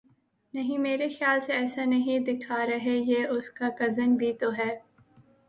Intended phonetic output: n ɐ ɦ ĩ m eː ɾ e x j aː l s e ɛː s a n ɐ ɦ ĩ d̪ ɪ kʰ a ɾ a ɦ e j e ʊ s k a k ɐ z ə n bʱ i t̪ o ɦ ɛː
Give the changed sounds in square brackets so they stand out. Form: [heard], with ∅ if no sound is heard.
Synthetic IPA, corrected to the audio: n ɐ ɦ ĩ m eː ɾ e x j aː l s e ɛː s a n ɐ ɦ ĩ d̪ ɪ kʰ a ɾ [ɐ] ɦ e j e ʊ s k a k ɐ z ə n bʱ i t̪ o ɦ ɛː